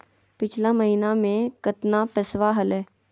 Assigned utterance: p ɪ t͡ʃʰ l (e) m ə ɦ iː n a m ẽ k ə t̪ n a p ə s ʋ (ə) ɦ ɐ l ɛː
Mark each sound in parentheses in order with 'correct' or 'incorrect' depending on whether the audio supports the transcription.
incorrect, incorrect

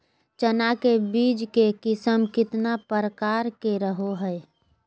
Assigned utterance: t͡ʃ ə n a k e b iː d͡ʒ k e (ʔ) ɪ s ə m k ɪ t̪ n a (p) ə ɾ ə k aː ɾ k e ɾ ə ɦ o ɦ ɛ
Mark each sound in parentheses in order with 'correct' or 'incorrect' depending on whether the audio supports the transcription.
incorrect, correct

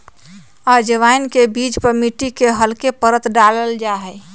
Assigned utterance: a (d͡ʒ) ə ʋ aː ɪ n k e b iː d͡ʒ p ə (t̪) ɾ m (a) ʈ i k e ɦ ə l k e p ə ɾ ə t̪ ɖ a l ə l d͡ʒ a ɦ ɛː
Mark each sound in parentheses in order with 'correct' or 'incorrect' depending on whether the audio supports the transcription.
correct, incorrect, incorrect

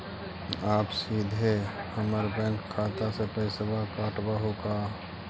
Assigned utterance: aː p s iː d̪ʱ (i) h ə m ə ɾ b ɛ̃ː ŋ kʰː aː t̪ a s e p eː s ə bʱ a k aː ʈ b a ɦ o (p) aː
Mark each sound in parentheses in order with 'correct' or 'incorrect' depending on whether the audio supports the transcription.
incorrect, incorrect

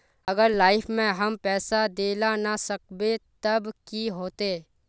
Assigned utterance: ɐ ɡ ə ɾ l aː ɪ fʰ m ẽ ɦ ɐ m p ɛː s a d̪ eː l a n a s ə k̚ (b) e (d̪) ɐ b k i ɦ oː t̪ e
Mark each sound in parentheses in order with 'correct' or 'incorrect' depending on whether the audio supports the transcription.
correct, incorrect

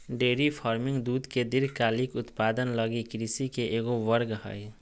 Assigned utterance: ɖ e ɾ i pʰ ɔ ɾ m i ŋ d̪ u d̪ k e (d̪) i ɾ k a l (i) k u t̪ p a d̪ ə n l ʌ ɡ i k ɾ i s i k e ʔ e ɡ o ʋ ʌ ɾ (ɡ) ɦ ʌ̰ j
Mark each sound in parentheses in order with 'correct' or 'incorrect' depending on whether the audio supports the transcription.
correct, correct, correct

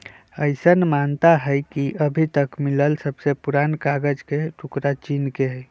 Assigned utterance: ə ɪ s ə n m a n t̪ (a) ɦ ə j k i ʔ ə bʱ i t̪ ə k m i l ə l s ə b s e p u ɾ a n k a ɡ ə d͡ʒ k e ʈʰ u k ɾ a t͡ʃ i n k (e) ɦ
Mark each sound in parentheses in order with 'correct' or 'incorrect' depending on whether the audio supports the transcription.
correct, correct

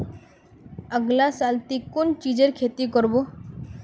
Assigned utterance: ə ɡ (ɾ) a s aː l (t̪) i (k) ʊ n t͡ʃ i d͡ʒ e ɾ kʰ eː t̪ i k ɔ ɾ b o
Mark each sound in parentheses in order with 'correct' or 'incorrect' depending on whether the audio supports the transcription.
incorrect, correct, correct

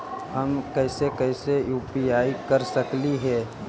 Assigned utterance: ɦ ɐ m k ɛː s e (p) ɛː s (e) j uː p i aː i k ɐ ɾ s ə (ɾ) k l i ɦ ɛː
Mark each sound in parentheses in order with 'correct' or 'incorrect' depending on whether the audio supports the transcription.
incorrect, correct, incorrect

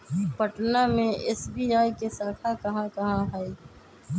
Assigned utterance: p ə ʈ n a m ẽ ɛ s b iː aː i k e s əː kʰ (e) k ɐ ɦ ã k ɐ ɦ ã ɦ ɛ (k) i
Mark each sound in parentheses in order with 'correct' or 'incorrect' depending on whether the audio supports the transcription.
incorrect, incorrect

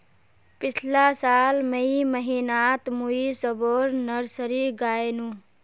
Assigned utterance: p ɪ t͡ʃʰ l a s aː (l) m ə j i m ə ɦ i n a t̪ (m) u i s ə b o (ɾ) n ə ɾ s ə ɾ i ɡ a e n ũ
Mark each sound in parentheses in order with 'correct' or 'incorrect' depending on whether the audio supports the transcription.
correct, correct, correct

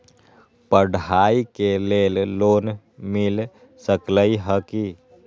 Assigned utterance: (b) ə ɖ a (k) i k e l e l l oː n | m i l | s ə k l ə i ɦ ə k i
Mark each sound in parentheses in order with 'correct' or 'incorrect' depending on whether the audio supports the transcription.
incorrect, incorrect

